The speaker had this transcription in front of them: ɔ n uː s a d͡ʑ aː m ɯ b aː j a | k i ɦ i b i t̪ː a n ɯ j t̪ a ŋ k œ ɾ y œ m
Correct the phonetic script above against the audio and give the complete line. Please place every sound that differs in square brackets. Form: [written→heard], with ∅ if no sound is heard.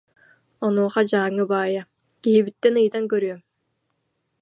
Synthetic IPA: ɔ n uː [s→χ] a d͡ʑ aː [m→ŋ] ɯ b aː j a | k i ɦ i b i t̪ː [a→ɛ] n ɯ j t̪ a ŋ k œ ɾ y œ m